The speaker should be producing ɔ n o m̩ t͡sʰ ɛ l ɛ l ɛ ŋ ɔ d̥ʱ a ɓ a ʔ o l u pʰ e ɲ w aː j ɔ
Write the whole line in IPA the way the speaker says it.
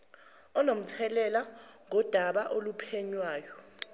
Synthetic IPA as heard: ɔ n o m̩ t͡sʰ ɛ l ɛ l a ŋ ɔ d̥ʱ a ɓ a ʔ o l u pʰ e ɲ w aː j ɔ